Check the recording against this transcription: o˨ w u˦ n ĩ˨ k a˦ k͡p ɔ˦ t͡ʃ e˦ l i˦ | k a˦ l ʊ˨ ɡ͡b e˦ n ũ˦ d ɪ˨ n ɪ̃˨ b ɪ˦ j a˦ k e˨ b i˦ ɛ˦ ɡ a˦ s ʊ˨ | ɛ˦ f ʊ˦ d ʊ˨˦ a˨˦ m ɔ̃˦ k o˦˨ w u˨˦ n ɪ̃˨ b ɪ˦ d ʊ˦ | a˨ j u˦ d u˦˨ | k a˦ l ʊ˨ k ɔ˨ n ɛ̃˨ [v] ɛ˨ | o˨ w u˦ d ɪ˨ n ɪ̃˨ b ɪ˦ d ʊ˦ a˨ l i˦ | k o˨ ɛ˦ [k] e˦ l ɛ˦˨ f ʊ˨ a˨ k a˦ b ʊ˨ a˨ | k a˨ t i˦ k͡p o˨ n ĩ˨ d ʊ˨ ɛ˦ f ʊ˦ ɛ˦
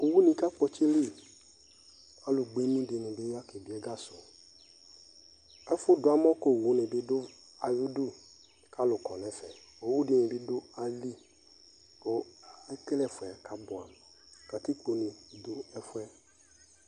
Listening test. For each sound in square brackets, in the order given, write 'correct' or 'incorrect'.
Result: incorrect: f, correct

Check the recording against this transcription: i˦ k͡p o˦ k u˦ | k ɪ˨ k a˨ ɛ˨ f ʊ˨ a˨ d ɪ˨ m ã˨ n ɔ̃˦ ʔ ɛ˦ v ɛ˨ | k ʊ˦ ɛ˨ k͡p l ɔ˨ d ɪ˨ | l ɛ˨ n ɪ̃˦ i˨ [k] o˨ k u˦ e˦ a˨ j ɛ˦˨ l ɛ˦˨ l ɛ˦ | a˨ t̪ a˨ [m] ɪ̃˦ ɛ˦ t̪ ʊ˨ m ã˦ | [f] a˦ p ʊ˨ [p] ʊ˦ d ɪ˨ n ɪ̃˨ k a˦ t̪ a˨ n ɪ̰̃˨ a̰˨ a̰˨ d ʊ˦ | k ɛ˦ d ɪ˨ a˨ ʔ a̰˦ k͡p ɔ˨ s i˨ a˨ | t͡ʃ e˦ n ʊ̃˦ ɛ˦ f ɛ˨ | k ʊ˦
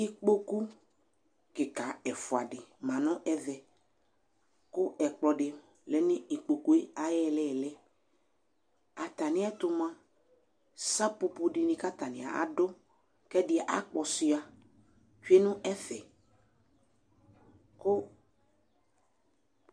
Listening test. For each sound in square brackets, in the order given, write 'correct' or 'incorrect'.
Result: incorrect: k͡p, incorrect: n, incorrect: s, correct

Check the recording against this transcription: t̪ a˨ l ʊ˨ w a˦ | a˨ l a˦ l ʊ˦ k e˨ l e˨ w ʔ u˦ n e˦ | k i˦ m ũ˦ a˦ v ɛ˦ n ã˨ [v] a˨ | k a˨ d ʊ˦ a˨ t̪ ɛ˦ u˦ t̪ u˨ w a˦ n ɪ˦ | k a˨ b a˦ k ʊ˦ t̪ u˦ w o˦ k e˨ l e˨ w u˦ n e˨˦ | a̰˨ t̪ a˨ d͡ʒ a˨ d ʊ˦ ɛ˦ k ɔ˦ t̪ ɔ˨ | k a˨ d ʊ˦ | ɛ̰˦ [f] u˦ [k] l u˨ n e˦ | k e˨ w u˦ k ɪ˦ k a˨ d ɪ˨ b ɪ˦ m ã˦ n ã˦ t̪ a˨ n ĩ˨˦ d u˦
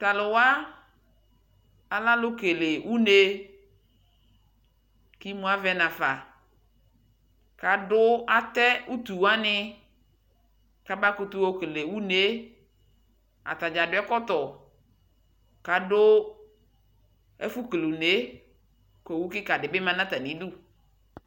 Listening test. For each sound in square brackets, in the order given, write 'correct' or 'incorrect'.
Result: incorrect: f, correct, correct

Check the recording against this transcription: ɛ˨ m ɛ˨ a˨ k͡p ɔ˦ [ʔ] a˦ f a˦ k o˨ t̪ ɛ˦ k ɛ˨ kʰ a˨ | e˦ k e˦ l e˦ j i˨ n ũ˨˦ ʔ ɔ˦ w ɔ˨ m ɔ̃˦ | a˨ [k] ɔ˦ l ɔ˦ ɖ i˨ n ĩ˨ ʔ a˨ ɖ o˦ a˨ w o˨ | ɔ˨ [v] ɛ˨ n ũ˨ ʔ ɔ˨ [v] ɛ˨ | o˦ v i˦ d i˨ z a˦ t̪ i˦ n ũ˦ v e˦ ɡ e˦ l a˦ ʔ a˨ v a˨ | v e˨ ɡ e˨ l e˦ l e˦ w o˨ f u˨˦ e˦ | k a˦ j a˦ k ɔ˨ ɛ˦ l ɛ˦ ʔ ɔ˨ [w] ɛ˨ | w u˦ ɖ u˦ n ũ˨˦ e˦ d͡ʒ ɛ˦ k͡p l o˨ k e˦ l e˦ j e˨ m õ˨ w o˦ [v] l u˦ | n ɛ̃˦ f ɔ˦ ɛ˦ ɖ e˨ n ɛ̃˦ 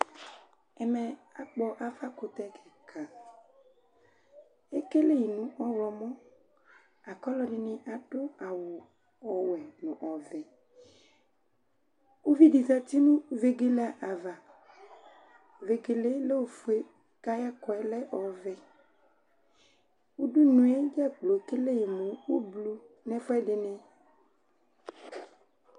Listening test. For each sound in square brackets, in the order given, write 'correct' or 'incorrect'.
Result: correct, correct, incorrect: w, correct, incorrect: v, incorrect: b

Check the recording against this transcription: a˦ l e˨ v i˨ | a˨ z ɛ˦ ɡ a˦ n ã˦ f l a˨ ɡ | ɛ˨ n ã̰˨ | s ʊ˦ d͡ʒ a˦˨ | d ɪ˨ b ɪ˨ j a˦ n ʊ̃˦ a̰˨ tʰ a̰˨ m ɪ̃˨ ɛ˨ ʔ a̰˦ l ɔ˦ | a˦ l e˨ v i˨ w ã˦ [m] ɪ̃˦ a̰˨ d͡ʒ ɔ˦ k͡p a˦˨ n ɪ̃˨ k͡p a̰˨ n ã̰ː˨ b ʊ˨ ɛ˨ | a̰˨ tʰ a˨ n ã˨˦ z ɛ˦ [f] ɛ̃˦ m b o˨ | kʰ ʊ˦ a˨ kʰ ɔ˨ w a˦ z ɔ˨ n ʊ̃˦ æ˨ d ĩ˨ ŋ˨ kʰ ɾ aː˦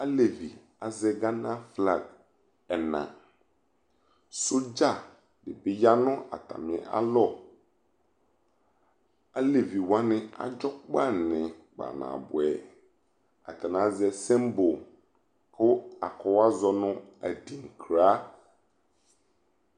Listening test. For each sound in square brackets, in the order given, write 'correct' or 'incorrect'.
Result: incorrect: n, incorrect: s

